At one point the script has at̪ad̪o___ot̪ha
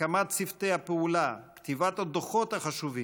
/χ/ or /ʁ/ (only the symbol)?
χ